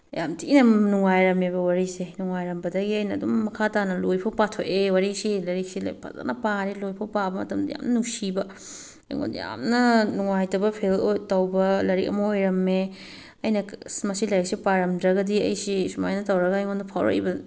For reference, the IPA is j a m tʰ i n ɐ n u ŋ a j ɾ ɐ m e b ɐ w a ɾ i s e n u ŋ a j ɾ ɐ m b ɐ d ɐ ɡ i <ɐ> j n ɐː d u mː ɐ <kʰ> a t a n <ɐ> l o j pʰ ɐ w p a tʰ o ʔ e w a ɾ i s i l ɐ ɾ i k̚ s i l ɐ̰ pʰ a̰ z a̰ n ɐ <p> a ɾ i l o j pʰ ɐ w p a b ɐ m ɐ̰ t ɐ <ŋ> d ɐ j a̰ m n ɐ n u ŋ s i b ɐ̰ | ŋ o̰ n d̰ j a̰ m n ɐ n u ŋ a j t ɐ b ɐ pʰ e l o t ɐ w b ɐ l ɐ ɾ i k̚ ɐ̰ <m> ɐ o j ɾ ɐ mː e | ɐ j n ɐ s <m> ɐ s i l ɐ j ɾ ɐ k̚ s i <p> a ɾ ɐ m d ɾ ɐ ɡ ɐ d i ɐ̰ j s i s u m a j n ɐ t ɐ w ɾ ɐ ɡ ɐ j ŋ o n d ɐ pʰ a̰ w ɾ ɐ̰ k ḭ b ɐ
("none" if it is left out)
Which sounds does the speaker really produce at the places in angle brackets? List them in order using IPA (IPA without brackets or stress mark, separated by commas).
ɐ, kʰ, ɐ, p, m, m, m, p